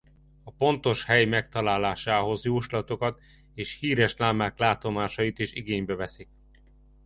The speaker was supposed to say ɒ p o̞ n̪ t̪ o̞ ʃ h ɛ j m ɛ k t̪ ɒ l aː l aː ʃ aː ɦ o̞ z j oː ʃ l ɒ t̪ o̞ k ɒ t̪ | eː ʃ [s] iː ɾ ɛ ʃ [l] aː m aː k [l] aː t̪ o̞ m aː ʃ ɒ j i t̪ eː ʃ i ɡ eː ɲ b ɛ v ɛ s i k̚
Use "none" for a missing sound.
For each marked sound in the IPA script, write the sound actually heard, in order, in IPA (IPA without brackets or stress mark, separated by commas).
h, l, l